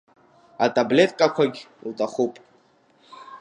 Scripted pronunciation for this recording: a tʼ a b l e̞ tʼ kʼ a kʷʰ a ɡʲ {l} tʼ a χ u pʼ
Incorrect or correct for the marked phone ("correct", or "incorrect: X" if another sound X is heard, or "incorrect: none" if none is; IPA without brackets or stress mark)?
correct